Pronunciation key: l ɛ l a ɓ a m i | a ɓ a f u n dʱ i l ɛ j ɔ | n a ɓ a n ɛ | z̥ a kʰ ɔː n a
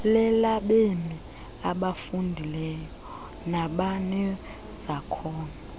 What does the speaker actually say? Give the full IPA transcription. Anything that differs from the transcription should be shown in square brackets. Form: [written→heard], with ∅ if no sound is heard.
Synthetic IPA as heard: l ɛ l a ɓ [a→e] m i | a ɓ a f u n dʱ i l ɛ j ɔ | n a ɓ a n ɛ | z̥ a kʰ ɔː n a